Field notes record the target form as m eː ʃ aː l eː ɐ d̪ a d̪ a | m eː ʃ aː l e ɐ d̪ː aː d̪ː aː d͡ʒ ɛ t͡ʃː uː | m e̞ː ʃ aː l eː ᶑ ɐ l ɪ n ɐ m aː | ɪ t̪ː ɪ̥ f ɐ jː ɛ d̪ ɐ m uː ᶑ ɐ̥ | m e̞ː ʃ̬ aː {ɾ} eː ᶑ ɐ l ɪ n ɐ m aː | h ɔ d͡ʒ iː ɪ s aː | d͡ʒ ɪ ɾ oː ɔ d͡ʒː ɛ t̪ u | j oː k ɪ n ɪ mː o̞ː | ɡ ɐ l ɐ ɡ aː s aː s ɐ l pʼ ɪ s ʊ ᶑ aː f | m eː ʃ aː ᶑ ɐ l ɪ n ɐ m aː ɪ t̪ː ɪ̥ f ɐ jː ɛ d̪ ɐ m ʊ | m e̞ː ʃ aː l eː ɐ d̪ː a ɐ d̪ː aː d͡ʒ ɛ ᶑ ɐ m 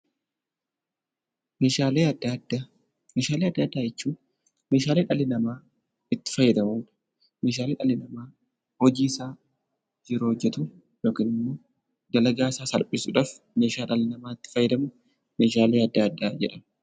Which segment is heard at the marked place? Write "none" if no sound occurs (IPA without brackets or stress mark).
l